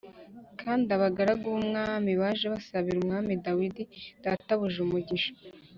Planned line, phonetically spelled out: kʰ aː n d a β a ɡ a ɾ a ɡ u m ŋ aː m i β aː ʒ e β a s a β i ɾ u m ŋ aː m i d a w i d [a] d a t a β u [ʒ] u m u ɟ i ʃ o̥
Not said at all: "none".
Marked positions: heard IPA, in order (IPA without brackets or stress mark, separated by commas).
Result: i, ʒ